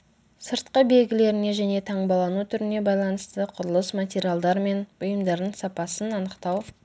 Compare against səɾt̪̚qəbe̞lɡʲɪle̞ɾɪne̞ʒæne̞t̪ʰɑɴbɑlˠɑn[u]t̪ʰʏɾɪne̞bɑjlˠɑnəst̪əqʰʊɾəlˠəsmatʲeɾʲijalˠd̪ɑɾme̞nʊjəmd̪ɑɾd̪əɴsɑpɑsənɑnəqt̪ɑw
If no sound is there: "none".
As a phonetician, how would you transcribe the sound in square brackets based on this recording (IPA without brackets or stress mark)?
u